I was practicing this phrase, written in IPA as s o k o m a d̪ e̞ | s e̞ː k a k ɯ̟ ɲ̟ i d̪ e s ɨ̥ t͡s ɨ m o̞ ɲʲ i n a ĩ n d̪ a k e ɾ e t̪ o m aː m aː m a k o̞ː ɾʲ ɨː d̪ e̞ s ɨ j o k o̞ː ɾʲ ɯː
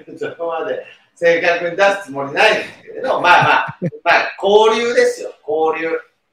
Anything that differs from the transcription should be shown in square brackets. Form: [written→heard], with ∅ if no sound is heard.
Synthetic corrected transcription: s o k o m a d̪ e̞ | s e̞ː k a k ɯ̟ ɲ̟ i d̪ [e→a] s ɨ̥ t͡s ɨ m o̞ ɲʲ i n a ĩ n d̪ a k e ɾ e [t̪→d̪] o m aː m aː m a k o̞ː ɾʲ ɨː d̪ e̞ s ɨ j o k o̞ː ɾʲ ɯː